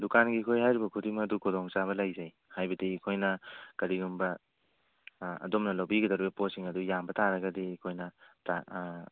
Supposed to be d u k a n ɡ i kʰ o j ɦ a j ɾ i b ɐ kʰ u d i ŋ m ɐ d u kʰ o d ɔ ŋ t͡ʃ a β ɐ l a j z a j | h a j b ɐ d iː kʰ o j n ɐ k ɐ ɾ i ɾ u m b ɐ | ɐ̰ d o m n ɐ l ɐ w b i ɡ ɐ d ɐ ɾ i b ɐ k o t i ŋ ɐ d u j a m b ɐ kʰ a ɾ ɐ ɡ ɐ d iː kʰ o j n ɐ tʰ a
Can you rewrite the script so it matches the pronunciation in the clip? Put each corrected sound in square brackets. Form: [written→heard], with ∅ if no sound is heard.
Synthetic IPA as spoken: d u k a n ɡ i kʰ o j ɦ a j ɾ i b ɐ kʰ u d i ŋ m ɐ d u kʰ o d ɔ ŋ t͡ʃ a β ɐ l a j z a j | h a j b ɐ d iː kʰ o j n ɐ k ɐ ɾ i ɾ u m b ɐ | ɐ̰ d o m n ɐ l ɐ w b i ɡ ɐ d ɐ ɾ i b ɐ [k→p] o [t→s] i ŋ ɐ d u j a m b ɐ [kʰ→tʰ] a ɾ ɐ ɡ ɐ d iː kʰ o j n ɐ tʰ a

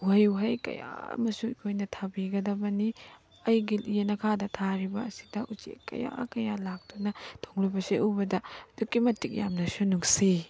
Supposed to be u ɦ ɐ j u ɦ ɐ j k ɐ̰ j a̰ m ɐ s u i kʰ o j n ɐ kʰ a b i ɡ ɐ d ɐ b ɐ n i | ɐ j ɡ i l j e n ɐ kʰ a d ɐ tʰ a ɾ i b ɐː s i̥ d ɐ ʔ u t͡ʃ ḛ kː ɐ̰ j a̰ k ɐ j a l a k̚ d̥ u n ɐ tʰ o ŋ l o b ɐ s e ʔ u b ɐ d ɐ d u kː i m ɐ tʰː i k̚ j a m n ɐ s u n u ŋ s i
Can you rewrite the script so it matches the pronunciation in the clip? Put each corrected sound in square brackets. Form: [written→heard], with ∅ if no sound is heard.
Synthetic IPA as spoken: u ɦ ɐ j u ɦ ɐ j k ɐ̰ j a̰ m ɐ s u i kʰ o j n ɐ [kʰ→tʰ] a b i ɡ ɐ d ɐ b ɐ n i | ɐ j ɡ i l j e n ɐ kʰ a d ɐ tʰ a ɾ i b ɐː s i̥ d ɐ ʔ u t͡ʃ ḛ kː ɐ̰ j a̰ k ɐ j a l a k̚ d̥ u n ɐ tʰ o ŋ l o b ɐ s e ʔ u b ɐ d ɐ d u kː i m ɐ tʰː i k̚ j a m n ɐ s u n u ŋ s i

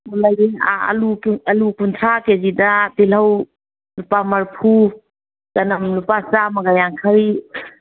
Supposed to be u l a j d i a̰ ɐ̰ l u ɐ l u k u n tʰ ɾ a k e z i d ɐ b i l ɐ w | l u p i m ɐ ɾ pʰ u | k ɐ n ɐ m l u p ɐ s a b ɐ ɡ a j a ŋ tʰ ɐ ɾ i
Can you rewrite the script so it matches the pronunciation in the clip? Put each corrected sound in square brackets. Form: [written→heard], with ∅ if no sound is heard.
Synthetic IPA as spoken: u l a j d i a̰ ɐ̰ l u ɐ l u k u n tʰ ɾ a k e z i d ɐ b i l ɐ w | l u p [i→a] m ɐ ɾ pʰ u | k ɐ n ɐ m l u p [ɐ→a] s a [b→m] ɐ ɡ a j a ŋ [tʰ→kʰ] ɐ ɾ i

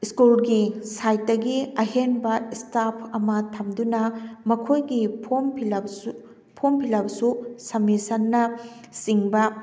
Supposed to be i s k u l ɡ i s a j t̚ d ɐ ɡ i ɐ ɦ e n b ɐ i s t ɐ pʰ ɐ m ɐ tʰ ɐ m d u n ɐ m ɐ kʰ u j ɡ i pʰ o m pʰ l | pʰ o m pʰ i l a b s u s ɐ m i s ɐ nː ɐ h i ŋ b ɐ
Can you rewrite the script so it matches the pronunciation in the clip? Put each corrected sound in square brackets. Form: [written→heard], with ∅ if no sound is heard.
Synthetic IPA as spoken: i s k u l ɡ i s a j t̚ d ɐ ɡ i ɐ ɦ e n b ɐ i s t [ɐ→a] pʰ ɐ m ɐ tʰ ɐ m d u n ɐ m ɐ kʰ [u→o] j ɡ i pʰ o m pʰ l | pʰ o m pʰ i l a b s u s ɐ m i s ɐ nː ɐ [h→s] i ŋ b ɐ

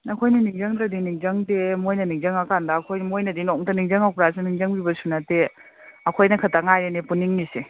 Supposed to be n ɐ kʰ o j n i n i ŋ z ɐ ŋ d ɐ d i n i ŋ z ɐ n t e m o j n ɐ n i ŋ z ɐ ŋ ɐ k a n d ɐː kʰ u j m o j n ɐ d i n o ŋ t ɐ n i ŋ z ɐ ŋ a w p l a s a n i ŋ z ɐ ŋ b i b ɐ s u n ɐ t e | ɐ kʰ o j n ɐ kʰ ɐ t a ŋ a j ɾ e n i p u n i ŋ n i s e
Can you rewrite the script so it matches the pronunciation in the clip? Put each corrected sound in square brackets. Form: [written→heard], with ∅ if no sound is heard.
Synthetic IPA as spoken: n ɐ kʰ o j n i n i ŋ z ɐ ŋ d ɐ d i n i ŋ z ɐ [n→ŋ] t e m o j n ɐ n i ŋ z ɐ ŋ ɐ k a n d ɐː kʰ [u→o] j m o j n ɐ d i n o ŋ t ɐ n i ŋ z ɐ ŋ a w p [l→ɾ] a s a n i ŋ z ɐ ŋ b i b ɐ s u n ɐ t e | ɐ kʰ o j n ɐ kʰ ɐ t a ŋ a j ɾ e n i p u n i ŋ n i s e

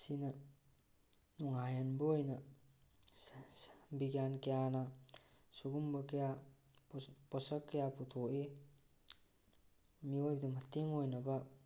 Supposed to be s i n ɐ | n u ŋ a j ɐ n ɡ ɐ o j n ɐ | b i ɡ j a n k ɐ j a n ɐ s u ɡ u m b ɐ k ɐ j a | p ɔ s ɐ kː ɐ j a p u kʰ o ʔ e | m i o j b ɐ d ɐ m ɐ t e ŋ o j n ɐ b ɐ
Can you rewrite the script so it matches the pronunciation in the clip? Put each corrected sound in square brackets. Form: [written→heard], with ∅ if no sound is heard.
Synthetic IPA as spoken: s i n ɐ | n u ŋ a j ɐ n [ɡ→b] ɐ o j n ɐ | b i ɡ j a n k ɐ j a n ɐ s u ɡ u m b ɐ k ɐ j a | p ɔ s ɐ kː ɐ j a p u [kʰ→tʰ] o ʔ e | m i o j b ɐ d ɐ m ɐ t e ŋ o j n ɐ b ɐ

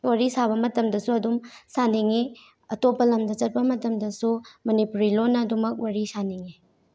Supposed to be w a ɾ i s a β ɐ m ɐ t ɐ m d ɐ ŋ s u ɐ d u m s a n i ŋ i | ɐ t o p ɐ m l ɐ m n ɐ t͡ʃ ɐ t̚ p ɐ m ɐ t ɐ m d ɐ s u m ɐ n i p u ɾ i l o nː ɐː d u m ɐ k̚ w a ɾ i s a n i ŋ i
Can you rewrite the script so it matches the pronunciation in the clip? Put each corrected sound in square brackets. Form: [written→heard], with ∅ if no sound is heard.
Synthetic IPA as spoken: w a ɾ i s a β ɐ m ɐ t ɐ m d ɐ [ŋ→∅] s u ɐ d u m s a n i ŋ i | ɐ t o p ɐ [m→∅] l ɐ m [n→d] ɐ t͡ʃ ɐ t̚ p ɐ m ɐ t ɐ m d ɐ s u m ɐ n i p u ɾ i l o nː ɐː d u m ɐ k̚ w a ɾ i s a n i ŋ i

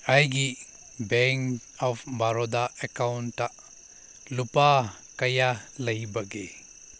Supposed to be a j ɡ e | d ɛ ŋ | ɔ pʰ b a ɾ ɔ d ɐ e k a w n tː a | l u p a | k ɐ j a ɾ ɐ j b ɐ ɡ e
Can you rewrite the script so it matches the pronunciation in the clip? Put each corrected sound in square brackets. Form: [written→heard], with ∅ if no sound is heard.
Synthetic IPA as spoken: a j ɡ [e→i] | [d→b] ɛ ŋ | ɔ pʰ b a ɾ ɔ d [ɐ→a] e k a w n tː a | l u p a | k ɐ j a [ɾ→l] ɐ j b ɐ ɡ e

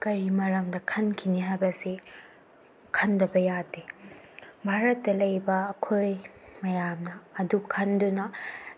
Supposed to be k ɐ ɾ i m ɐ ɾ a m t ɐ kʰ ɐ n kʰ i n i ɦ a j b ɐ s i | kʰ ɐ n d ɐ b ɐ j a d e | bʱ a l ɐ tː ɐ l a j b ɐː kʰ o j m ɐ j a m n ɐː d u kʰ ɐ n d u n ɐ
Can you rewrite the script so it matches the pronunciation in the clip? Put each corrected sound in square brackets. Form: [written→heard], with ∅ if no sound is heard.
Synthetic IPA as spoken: k ɐ ɾ i m ɐ ɾ [a→ɐ] m [t→d] ɐ kʰ ɐ n kʰ i n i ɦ a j b ɐ s i | kʰ ɐ n d ɐ b ɐ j a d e | bʱ a [l→ɾ] ɐ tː ɐ l [a→ɐ] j b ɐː kʰ o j m ɐ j a m n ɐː d u kʰ ɐ n d u n ɐ

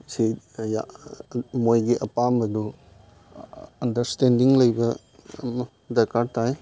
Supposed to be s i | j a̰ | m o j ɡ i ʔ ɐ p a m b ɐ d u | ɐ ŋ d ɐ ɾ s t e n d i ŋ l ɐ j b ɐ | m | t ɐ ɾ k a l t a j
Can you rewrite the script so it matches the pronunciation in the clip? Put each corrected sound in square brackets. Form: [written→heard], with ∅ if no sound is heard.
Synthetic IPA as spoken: s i | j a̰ | m o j ɡ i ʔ ɐ p a m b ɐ d u | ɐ [ŋ→n] d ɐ ɾ s t e n d i ŋ l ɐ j b ɐ | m | [t→d] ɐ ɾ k a [l→ɾ] t a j

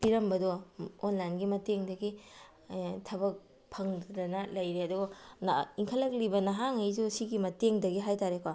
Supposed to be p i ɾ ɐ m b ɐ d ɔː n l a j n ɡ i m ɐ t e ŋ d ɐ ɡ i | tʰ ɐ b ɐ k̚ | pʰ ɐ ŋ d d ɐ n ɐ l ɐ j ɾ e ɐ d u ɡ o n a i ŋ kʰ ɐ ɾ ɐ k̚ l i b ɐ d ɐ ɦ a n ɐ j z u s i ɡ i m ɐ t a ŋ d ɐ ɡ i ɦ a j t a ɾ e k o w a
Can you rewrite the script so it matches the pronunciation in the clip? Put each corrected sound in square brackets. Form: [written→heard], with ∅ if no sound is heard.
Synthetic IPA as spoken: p i ɾ ɐ m b ɐ d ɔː n l a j n ɡ i m ɐ t e ŋ d ɐ ɡ i | tʰ ɐ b ɐ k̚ | pʰ ɐ ŋ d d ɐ n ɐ l ɐ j ɾ e ɐ d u ɡ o n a i ŋ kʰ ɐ [ɾ→l] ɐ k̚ l i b ɐ [d→n] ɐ ɦ a [n→ŋ] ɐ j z u s i ɡ i m ɐ t [a→e] ŋ d ɐ ɡ i ɦ a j t a ɾ e k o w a

